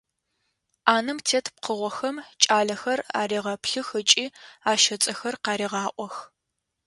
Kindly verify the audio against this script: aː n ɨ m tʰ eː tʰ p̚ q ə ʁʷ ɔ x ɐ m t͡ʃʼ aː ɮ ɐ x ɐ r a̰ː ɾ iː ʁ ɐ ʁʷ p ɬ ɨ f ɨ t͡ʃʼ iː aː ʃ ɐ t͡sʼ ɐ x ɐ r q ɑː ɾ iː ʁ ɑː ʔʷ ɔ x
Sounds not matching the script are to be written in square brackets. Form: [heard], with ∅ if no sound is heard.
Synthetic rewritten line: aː n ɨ m tʰ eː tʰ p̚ q ə ʁʷ ɔ x ɐ m t͡ʃʼ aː ɮ ɐ x ɐ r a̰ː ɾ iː ʁ ɐ [∅] p ɬ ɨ [x] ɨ t͡ʃʼ iː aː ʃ ɐ t͡sʼ ɐ x ɐ r q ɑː ɾ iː ʁ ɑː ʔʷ ɔ x